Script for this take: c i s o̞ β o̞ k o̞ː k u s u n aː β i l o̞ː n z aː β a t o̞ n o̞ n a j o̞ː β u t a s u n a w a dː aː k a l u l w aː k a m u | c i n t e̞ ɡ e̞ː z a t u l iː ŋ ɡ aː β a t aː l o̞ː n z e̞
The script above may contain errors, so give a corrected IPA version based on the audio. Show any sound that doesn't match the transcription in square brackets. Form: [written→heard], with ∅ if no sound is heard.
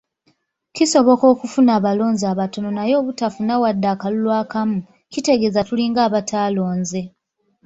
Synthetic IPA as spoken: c i s o̞ β o̞ k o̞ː k u [s→f] u n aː β [i→a] l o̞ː n z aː β a t o̞ n o̞ n a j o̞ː β u t a [s→f] u n a w a dː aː k a l u l w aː k a m u | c i [n→∅] t e̞ ɡ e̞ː z a t u l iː ŋ ɡ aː β a t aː l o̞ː n z e̞